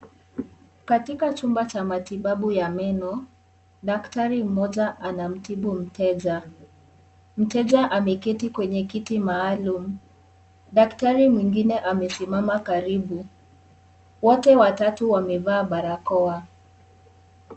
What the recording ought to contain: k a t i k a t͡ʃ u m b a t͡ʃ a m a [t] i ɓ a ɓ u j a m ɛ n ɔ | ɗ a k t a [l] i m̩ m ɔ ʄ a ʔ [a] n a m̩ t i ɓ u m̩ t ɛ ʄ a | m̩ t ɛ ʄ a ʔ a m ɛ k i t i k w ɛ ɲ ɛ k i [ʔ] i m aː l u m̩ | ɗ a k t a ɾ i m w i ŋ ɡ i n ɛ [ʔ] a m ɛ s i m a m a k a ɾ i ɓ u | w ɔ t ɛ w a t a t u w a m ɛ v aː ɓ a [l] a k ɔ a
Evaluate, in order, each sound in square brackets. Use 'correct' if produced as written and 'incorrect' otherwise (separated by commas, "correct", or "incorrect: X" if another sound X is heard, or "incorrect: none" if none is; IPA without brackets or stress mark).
correct, incorrect: ɾ, correct, incorrect: t, correct, incorrect: ɾ